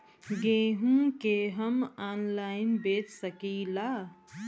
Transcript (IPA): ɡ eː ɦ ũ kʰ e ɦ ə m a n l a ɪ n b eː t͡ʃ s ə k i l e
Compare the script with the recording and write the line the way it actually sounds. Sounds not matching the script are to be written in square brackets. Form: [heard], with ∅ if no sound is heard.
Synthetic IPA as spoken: ɡ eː ɦ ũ [k] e ɦ ə m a n l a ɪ n b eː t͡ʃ s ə k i l [a]

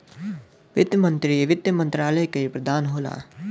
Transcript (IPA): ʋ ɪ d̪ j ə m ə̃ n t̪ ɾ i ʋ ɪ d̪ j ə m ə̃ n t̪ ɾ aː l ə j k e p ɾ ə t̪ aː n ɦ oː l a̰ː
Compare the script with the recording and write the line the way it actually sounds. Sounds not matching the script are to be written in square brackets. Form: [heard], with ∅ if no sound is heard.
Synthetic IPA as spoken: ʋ ɪ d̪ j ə m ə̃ n t̪ ɾ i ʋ ɪ d̪ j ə m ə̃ n t̪ ɾ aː l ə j k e p ɾ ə [d̪] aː n ɦ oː l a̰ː

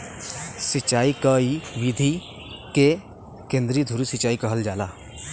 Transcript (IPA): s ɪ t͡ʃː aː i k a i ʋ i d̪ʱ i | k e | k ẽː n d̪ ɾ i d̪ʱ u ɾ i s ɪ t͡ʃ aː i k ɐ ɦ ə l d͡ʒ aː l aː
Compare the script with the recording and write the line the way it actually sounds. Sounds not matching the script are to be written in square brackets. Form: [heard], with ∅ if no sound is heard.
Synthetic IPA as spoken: s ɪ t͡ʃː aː i k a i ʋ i d̪ʱ i | k e | k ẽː n d̪ ɾ i d̪ʱ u ɾ i s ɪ t͡ʃ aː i k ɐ ɦ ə l d͡ʒ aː l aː

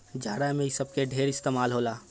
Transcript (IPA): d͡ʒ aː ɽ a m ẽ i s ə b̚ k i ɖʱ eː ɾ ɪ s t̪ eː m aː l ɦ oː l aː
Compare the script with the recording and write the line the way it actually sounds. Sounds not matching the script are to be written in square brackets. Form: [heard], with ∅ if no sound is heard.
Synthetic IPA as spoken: d͡ʒ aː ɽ a m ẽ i s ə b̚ k [e] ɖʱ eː ɾ ɪ s t̪ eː m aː l ɦ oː l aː

